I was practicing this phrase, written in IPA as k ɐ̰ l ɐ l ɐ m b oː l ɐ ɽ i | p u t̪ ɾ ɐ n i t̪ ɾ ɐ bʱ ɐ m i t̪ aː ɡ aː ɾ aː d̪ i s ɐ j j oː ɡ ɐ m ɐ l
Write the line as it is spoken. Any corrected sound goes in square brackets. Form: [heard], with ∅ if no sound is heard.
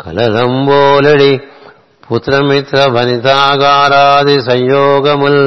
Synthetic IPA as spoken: k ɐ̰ l ɐ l ɐ m b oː l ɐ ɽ i | p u t̪ ɾ ɐ [m] i t̪ ɾ ɐ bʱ ɐ [n] i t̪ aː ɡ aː ɾ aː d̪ i s ɐ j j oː ɡ ɐ m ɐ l